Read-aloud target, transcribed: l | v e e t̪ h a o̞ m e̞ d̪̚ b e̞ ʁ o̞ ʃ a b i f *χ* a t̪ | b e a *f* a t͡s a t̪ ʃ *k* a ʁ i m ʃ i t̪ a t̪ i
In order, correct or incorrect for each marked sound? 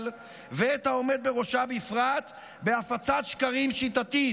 incorrect: ʁ, correct, correct

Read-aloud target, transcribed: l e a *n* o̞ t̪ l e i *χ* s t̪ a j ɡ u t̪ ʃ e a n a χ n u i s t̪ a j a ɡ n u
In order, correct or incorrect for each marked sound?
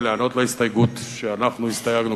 correct, incorrect: none

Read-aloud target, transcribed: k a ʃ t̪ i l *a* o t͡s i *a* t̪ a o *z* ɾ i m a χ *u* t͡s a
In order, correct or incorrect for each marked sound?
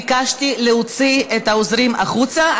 incorrect: e, incorrect: e, correct, correct

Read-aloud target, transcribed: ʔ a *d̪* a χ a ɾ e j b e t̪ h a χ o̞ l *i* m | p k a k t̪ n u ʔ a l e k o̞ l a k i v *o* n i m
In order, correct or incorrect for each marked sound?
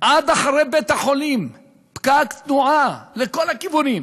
correct, correct, incorrect: u

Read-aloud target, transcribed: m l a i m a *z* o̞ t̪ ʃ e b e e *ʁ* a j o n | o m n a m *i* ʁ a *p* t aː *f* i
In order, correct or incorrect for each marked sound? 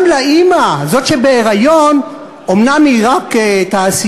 correct, correct, correct, incorrect: k, incorrect: s

